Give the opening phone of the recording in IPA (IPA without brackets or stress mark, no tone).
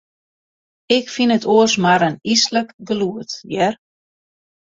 ɪ